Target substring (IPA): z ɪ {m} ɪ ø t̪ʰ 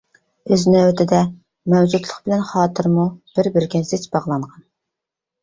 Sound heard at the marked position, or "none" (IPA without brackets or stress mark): n